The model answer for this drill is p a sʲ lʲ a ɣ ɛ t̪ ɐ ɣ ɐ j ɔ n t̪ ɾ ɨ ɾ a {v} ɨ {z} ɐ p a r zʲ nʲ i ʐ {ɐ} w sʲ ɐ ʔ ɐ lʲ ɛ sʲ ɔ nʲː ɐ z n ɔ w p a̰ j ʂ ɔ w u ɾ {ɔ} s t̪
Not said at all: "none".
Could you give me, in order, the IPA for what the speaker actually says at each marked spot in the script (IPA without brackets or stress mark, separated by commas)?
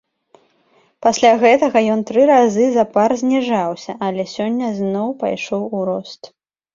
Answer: z, z, a, ɔ